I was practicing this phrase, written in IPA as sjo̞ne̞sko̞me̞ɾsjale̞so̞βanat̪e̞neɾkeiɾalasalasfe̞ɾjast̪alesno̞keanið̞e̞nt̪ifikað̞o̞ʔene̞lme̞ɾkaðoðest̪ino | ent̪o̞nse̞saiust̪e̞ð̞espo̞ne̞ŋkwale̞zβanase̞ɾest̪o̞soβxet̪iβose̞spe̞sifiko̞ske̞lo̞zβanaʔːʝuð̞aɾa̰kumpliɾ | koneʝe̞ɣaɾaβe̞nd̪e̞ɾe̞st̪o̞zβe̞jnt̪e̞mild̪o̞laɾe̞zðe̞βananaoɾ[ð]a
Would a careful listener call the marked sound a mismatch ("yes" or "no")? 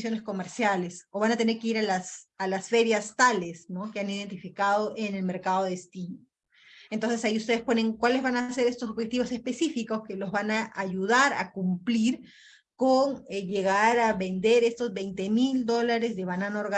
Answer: yes